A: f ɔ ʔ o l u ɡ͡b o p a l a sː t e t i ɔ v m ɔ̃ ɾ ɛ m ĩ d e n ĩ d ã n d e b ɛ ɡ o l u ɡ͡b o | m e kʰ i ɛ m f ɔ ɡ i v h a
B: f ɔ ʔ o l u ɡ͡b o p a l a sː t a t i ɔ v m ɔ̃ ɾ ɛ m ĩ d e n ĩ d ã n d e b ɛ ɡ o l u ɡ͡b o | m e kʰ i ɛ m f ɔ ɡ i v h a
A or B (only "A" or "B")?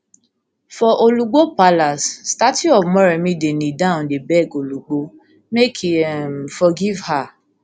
B